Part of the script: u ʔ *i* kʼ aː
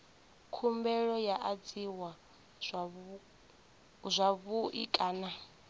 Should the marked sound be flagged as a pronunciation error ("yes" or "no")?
no